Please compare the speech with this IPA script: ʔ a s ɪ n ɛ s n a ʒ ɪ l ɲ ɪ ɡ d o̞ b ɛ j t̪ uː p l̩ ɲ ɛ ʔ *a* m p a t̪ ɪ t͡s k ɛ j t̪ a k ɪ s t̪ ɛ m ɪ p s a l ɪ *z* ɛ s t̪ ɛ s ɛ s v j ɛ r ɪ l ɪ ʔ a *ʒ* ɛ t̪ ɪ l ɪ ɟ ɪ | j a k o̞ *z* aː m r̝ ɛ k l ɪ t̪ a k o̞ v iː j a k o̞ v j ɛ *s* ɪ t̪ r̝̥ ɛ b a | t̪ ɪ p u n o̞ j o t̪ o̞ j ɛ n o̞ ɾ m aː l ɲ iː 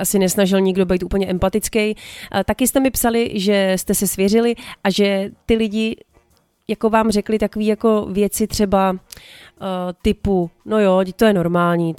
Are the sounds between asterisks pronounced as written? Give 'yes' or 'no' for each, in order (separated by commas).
no, no, yes, no, no